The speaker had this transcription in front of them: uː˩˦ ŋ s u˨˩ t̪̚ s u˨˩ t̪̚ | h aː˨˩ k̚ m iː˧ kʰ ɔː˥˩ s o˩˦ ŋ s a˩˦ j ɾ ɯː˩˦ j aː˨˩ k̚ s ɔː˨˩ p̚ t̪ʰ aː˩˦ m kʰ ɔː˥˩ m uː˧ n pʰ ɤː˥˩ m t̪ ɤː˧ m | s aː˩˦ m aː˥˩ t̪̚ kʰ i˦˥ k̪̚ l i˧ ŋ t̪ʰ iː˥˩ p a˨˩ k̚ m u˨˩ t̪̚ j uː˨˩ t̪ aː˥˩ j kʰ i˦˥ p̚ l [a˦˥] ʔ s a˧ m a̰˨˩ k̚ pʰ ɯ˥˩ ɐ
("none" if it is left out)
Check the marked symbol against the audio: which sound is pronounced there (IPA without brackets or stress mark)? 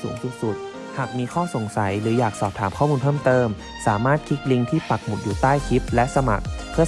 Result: ɛ˦˥